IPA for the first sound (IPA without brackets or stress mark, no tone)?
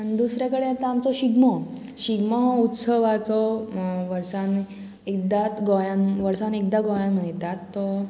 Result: d̪